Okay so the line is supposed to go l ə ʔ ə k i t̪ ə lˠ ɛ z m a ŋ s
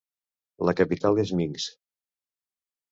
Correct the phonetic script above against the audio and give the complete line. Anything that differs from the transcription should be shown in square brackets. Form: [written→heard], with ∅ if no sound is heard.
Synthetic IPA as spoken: l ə [ʔ→k] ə [k→p] i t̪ [ə→a] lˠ [ɛ→e] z m [a→i] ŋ s